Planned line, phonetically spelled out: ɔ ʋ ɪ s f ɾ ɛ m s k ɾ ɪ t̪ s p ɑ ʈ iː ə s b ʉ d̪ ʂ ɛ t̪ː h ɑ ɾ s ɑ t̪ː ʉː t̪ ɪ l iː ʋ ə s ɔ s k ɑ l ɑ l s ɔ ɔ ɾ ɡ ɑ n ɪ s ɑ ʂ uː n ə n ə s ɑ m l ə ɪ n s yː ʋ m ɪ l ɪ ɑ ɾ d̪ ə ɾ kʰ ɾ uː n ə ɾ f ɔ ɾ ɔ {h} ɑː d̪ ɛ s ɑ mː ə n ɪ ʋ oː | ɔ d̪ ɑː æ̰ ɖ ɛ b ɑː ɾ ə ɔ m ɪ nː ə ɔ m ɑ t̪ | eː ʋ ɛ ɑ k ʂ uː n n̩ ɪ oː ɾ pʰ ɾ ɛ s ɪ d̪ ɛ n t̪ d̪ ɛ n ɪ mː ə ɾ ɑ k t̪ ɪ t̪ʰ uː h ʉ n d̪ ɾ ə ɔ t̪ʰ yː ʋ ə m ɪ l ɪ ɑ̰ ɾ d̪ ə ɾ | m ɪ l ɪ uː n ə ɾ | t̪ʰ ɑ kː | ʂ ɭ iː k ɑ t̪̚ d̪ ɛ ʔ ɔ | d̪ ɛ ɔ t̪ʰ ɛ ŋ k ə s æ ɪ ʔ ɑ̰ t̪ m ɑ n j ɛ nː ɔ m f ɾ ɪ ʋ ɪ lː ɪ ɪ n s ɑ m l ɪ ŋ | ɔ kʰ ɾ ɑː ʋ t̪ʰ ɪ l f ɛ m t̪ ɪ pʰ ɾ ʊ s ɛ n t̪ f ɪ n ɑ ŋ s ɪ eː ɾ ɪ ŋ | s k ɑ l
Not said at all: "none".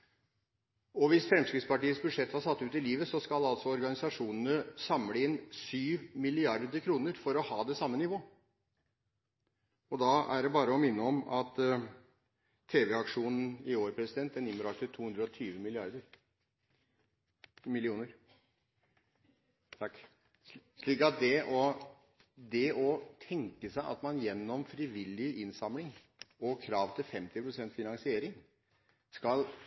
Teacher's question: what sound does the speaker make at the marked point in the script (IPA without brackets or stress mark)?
h